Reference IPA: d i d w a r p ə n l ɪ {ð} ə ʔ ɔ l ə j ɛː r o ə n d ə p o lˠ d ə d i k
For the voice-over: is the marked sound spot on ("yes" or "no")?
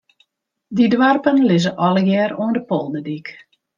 no